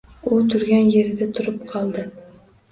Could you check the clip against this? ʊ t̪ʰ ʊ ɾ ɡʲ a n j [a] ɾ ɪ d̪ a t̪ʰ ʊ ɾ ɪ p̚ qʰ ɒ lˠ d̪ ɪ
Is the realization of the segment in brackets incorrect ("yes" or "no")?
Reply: yes